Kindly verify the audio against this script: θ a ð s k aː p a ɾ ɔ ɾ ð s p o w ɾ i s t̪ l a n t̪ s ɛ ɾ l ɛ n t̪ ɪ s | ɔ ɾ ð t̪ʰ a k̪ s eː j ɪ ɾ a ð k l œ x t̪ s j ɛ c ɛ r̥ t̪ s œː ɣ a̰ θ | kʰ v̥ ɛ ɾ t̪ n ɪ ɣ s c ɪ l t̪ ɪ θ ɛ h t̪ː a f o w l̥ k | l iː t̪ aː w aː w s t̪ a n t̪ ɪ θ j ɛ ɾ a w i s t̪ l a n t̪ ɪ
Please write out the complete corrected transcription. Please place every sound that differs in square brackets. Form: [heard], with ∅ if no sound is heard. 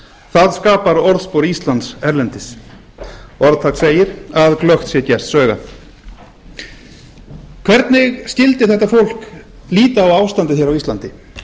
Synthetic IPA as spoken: θ a ð s k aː p a ɾ ɔ ɾ ð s p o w ɾ i s t̪ l a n t̪ s ɛ ɾ l ɛ n t̪ ɪ s | ɔ ɾ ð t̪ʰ a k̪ s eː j ɪ ɾ a ð k l œ x t̪ s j ɛ c ɛ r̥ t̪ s œː ɣ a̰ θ | kʰ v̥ ɛ ɾ t̪ n ɪ ɣ s c ɪ l t̪ ɪ θ ɛ h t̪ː a f o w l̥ k | l iː t̪ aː w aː w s t̪ a n t̪ ɪ θ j ɛ ɾ a w i s t̪ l a n t̪ ɪ

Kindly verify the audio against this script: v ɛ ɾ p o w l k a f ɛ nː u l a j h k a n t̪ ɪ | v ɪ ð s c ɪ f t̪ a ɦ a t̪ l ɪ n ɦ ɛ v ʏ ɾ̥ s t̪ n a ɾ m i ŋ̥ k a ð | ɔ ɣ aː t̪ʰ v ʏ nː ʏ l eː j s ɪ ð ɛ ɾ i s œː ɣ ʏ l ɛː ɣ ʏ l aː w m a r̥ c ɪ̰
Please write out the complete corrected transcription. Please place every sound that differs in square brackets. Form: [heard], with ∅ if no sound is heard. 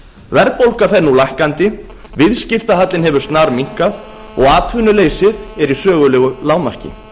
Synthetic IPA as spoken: v ɛ ɾ p o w l k a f ɛ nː u l a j h k a n t̪ ɪ | v ɪ ð s c ɪ f t̪ a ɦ a t̪ l ɪ n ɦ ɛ v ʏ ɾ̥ s t̪ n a ɾ m i ŋ̥ k a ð | ɔ ɣ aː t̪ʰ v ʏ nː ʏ l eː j s ɪ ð ɛ ɾ i s œː ɣ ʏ l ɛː ɣ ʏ l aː w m a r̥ c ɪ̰

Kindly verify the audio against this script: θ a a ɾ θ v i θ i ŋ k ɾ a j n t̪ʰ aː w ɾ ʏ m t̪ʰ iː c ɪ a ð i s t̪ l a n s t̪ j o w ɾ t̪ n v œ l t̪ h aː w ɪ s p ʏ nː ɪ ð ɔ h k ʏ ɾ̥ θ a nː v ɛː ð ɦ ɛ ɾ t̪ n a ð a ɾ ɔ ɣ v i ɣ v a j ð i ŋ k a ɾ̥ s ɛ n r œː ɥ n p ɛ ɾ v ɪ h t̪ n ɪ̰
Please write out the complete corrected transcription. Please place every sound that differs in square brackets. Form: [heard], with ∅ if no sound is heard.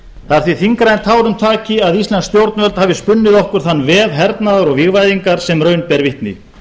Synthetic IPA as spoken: θ a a ɾ θ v i θ i ŋ k ɾ a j n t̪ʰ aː w ɾ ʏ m t̪ʰ [aː] c ɪ a ð i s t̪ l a n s t̪ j o w ɾ t̪ n v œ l t̪ h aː [v] ɪ s p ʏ nː ɪ ð ɔ h k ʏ ɾ̥ θ a nː v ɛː ð ɦ ɛ ɾ t̪ n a ð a ɾ ɔ ɣ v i ɣ v a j ð i ŋ k a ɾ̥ s ɛ [m] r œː ɥ n p ɛ ɾ v ɪ h t̪ n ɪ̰

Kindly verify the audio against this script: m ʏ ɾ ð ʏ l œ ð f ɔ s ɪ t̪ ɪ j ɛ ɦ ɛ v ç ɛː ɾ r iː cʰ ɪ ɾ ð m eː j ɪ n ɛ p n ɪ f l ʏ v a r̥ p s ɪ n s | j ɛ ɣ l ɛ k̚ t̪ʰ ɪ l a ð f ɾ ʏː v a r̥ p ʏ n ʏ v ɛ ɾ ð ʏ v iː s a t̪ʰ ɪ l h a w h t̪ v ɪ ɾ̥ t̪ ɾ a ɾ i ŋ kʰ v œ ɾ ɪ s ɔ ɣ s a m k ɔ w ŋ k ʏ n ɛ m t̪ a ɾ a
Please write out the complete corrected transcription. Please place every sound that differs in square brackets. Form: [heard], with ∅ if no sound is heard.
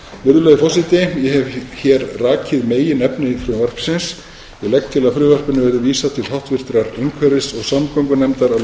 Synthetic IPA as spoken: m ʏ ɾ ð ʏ l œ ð f ɔ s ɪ t̪ ɪ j ɛ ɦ ɛ v ç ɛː ɾ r [aː] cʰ ɪ [∅] ð m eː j ɪ n ɛ p n ɪ f [ɾ] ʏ v a r̥ p s ɪ n s | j ɛ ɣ l ɛ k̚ t̪ʰ ɪ l a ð f ɾ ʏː v a r̥ p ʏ n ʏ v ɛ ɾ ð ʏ v iː s a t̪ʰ ɪ l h a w h t̪ v ɪ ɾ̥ t̪ ɾ a ɾ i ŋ kʰ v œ ɾ ɪ s ɔ ɣ s a m k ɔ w ŋ k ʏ n ɛ m t̪ a ɾ a

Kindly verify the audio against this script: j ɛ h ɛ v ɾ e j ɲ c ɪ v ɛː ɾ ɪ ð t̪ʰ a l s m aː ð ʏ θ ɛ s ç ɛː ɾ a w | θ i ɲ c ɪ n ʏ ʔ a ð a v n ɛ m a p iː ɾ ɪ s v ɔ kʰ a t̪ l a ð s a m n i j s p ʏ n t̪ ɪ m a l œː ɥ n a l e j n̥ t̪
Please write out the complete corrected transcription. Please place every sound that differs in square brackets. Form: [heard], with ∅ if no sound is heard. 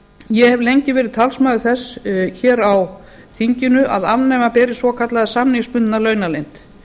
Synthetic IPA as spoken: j ɛ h ɛ v [l] e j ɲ c ɪ v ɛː ɾ ɪ ð t̪ʰ a l s m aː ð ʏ θ ɛ s ç ɛː ɾ a w | θ i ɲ c ɪ n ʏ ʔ a ð a v n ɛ m a p [ɛː] ɾ ɪ s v ɔ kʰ a t̪ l a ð s a m n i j s p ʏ n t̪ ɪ [n] a l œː ɥ n a l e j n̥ t̪

